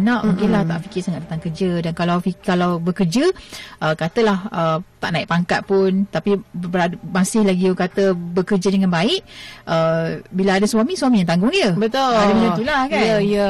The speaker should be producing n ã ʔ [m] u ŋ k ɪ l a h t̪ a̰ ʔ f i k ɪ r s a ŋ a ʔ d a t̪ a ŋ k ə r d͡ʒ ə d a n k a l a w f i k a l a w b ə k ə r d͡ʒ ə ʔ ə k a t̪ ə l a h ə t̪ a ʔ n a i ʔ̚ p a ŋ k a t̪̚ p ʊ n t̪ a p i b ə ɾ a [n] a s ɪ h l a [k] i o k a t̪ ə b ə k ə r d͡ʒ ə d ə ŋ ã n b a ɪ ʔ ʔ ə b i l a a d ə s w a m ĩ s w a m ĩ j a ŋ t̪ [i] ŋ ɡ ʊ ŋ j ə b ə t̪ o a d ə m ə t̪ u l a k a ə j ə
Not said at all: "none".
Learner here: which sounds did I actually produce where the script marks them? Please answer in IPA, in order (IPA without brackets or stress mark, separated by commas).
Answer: m, m, ɡ, a